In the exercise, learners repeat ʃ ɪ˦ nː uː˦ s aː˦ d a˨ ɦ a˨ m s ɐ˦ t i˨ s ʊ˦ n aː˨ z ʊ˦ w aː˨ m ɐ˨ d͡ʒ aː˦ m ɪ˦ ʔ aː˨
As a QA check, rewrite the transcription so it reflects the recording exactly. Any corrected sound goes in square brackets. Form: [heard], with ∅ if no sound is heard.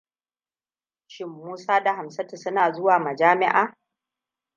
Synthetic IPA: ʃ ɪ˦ [mː] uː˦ s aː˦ d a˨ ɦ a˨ m s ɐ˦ t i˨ s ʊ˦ n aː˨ z ʊ˦ w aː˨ m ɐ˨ d͡ʒ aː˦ m ɪ˦ ʔ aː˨